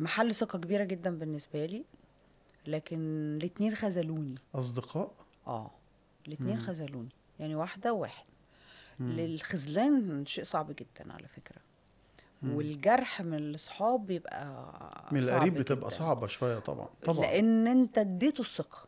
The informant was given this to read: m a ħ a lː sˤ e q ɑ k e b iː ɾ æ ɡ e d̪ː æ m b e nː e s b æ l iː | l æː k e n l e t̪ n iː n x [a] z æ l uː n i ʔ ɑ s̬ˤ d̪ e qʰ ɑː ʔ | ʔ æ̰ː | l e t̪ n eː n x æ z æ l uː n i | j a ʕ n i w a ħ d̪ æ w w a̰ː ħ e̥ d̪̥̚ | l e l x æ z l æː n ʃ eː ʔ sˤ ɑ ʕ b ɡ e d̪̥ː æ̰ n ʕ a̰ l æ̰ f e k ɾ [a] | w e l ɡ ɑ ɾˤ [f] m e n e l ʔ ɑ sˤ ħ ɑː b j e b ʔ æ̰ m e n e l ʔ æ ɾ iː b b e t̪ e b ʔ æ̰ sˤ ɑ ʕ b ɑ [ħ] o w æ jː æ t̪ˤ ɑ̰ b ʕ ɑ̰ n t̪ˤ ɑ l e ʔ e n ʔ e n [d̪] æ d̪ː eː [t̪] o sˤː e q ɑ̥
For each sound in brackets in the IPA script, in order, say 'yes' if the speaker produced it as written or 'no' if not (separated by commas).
no, no, no, no, no, yes